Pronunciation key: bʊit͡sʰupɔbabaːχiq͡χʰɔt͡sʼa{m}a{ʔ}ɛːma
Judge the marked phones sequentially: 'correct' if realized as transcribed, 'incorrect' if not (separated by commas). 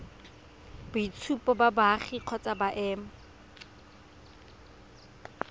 incorrect, correct